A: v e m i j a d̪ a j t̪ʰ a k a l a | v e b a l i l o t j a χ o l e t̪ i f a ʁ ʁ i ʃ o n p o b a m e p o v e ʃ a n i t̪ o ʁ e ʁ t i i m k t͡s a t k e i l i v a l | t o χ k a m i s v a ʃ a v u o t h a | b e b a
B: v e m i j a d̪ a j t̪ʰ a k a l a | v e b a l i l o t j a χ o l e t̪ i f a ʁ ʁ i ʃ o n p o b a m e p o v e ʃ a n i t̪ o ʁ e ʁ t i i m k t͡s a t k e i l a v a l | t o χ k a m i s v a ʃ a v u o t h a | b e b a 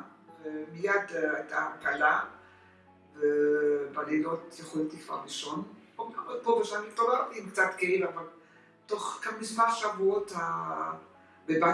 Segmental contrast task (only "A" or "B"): B